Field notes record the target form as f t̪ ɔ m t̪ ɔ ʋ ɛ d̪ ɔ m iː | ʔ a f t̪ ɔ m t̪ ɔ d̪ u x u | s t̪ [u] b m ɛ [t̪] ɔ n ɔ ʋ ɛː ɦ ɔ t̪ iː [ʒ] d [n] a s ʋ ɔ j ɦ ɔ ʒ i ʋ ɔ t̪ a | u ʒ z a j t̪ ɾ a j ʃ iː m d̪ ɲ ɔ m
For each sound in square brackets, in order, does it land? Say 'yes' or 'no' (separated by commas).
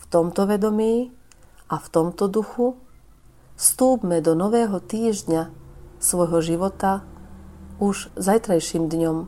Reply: no, no, yes, no